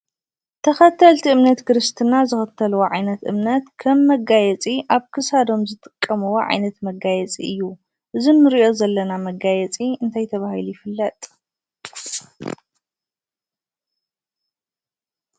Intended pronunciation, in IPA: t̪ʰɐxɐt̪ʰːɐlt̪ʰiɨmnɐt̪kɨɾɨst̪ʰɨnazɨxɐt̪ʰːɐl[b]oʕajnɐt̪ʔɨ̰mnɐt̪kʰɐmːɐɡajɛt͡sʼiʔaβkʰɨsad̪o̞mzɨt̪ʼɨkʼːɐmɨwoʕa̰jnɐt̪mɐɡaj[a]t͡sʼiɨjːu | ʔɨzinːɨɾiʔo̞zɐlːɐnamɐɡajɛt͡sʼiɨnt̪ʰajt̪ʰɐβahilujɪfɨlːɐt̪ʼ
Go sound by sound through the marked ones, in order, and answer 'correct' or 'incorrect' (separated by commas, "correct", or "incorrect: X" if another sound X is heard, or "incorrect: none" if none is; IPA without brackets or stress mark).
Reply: incorrect: w, incorrect: ɛ